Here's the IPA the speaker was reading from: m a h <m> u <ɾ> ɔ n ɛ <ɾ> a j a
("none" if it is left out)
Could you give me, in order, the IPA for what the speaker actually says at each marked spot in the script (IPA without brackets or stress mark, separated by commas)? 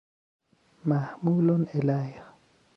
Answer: m, l, l